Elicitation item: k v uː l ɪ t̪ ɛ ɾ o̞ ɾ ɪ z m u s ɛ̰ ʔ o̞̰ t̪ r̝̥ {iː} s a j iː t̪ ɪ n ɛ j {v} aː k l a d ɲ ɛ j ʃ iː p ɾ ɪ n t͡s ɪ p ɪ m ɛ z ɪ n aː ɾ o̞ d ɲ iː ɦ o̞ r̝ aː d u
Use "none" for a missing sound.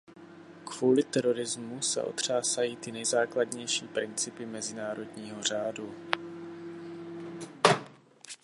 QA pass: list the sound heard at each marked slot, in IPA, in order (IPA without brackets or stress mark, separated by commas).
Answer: aː, z